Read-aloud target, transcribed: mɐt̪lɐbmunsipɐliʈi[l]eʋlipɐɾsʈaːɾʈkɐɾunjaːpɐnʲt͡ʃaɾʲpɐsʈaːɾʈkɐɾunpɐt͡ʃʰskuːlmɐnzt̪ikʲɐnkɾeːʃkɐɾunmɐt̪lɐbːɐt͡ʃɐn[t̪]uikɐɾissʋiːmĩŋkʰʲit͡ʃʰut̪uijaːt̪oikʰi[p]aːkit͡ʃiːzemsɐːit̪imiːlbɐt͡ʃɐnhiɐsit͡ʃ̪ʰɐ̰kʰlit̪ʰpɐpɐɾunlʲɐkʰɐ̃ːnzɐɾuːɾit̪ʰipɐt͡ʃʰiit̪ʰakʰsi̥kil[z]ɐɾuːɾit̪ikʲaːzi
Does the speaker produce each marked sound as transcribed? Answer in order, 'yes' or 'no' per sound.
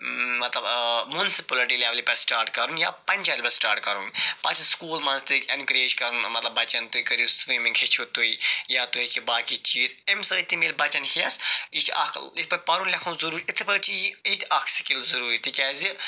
yes, yes, no, yes

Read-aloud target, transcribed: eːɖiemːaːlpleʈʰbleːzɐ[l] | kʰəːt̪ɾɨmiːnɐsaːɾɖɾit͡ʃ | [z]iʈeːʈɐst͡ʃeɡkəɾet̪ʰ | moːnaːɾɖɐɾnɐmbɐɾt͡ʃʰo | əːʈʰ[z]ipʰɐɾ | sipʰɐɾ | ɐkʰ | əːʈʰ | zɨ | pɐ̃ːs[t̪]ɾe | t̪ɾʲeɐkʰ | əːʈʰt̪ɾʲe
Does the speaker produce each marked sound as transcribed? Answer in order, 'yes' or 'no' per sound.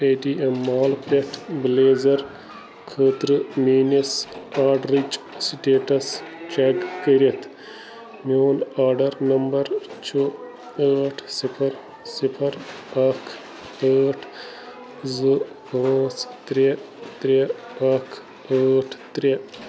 no, no, no, yes

